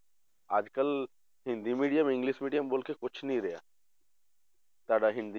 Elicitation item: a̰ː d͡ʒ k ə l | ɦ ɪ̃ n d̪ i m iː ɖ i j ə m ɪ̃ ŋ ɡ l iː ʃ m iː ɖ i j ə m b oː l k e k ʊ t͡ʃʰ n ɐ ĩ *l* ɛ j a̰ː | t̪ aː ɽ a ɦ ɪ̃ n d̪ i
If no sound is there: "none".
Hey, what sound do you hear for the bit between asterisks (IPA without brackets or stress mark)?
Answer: ɾ